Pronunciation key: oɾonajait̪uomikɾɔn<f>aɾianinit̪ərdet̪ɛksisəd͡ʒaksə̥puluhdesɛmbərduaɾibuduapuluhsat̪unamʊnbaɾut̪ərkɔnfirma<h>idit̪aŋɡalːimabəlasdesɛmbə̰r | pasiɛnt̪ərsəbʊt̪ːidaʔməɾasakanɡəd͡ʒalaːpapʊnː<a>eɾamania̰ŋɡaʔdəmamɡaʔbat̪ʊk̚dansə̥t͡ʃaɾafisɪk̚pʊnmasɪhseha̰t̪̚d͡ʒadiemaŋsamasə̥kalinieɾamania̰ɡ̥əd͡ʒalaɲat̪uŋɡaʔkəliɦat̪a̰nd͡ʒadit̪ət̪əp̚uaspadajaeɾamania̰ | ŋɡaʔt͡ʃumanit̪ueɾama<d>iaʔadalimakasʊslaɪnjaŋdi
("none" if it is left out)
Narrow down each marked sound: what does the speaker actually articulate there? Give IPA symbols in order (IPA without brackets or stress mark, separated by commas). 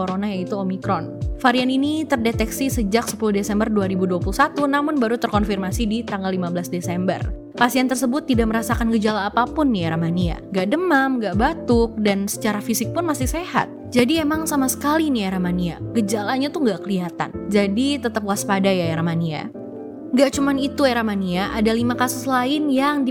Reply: f, s, i, n